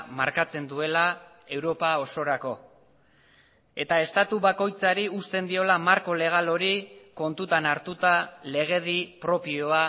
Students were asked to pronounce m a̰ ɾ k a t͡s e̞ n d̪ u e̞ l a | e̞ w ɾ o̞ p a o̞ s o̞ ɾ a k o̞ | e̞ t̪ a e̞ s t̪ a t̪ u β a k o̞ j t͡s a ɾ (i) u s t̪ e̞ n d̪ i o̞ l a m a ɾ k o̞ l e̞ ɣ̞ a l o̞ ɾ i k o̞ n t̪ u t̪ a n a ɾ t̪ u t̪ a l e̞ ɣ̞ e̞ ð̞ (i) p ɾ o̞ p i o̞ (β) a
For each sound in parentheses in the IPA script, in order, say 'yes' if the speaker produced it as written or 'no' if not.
yes, yes, no

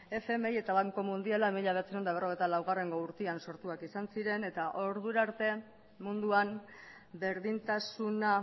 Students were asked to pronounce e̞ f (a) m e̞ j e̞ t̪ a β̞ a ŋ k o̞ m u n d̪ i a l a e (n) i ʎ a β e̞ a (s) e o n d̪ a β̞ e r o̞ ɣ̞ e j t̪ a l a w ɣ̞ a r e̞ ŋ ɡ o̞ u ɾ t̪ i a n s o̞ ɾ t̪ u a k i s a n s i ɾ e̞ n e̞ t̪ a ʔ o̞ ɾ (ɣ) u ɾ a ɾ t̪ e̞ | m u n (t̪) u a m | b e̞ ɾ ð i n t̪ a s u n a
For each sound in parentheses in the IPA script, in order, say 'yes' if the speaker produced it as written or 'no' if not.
no, no, no, no, no

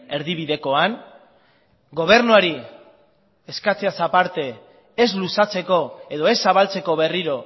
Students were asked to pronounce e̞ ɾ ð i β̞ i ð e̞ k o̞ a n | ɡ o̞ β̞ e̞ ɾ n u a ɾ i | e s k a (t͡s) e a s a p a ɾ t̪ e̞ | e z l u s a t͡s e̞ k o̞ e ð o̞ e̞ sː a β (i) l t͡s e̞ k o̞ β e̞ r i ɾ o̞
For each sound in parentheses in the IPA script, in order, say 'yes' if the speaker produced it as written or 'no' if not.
yes, no

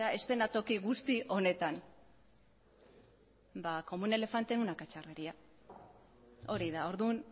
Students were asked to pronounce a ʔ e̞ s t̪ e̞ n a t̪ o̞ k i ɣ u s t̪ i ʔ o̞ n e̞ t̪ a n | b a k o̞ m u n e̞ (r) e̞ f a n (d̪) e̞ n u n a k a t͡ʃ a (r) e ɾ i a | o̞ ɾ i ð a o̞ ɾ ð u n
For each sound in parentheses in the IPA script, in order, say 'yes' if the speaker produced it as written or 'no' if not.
no, no, yes

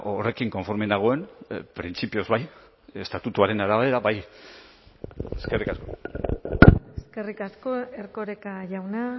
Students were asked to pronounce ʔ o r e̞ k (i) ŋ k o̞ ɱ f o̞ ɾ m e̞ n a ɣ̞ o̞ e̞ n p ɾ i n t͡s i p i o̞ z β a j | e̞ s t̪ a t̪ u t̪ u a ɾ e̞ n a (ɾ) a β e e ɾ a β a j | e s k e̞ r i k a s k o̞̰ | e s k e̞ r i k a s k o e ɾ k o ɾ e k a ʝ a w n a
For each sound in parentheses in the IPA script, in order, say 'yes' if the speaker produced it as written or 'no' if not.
yes, yes

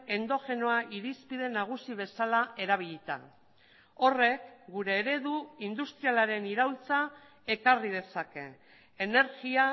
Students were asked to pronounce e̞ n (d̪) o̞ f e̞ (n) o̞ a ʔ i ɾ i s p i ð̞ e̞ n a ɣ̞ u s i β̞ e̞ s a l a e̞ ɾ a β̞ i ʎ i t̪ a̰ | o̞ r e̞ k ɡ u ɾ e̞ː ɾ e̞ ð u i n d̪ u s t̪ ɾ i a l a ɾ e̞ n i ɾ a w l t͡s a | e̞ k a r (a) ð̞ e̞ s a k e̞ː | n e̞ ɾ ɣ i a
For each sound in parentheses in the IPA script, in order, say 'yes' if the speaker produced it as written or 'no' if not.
yes, yes, no

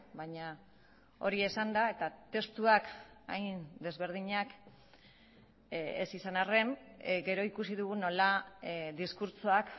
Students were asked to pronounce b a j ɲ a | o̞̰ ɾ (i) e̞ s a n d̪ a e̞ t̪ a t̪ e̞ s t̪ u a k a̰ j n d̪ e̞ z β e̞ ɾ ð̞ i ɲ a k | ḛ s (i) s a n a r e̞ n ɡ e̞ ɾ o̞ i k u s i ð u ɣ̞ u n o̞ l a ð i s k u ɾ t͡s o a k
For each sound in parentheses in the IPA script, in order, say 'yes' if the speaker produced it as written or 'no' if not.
yes, yes

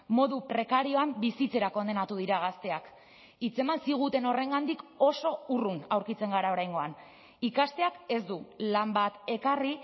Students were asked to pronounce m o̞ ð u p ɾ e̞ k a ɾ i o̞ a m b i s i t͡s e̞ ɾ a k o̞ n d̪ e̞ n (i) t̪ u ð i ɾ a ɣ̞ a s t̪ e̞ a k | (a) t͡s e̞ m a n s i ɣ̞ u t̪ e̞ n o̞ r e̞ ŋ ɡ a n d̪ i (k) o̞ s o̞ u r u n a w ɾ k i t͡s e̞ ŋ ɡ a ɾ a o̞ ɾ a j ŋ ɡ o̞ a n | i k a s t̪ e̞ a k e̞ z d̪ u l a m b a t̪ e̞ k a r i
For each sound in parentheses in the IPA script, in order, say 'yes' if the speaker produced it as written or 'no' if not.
no, no, yes

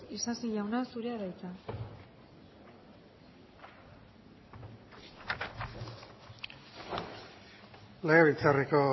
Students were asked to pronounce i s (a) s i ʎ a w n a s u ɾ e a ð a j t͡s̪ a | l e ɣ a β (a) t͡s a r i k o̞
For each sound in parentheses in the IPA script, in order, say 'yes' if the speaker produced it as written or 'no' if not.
yes, no

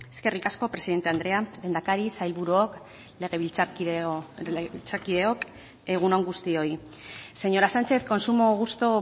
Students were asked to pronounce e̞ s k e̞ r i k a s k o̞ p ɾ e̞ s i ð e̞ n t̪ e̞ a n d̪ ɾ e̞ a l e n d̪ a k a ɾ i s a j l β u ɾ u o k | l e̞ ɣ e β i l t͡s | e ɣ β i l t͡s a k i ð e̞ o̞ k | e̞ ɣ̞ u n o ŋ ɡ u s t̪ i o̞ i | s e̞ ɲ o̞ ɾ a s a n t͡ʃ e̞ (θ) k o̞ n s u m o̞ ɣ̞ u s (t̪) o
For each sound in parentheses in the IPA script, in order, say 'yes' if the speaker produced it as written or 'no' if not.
yes, yes

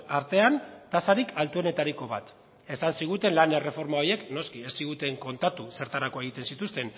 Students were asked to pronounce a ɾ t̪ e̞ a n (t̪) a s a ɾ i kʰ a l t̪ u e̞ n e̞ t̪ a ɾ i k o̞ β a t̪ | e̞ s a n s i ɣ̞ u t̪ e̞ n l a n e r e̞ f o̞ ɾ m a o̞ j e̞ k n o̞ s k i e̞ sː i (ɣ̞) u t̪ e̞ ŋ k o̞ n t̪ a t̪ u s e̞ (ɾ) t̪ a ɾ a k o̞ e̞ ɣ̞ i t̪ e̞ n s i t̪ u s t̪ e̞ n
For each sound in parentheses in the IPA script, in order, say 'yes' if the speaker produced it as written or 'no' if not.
yes, yes, yes

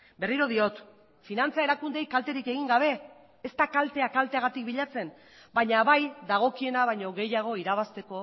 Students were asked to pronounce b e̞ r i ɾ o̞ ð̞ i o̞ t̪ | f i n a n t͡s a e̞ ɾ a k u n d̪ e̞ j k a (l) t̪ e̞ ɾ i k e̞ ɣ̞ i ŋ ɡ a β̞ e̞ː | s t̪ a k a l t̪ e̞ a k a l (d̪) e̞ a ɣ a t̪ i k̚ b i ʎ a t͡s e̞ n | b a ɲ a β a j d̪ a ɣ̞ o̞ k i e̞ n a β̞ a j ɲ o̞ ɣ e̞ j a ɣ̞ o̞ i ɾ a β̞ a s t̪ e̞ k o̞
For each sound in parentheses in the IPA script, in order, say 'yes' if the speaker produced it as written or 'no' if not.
yes, no

